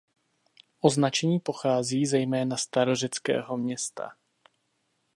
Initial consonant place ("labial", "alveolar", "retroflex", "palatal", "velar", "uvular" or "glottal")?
glottal